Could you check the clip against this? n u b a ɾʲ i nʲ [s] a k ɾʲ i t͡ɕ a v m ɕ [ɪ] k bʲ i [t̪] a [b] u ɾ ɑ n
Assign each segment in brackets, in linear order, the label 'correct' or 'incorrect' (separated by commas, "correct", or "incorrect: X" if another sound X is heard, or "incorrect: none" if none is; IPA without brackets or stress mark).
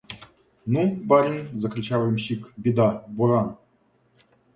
incorrect: z, incorrect: i, incorrect: d̪, correct